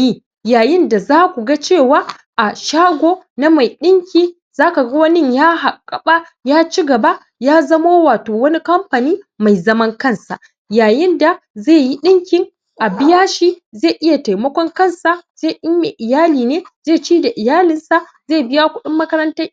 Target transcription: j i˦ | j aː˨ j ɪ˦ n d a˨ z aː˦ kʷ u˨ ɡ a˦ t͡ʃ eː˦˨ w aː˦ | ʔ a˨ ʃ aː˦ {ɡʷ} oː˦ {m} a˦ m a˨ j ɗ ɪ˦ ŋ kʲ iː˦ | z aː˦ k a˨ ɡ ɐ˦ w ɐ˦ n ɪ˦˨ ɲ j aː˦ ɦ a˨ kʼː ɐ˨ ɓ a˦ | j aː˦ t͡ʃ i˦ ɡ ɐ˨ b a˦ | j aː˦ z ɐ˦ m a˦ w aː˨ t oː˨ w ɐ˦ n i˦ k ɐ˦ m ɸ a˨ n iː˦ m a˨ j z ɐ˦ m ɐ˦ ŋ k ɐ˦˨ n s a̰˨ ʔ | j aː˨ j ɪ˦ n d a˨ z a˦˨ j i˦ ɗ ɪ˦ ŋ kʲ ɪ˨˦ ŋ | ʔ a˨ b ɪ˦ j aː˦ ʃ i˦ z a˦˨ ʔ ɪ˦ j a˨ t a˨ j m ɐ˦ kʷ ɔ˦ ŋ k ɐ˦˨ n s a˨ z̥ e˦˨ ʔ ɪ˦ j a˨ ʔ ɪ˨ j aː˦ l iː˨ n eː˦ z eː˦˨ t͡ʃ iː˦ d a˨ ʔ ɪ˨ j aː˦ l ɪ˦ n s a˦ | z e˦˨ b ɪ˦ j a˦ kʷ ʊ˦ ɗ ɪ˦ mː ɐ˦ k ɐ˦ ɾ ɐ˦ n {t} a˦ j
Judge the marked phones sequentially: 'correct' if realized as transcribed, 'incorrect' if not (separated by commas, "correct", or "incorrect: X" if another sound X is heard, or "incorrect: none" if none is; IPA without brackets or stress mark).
correct, incorrect: n, correct